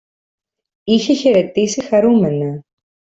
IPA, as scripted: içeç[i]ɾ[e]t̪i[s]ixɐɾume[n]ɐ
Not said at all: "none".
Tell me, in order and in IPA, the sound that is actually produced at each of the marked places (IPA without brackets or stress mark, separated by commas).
e, e, s, n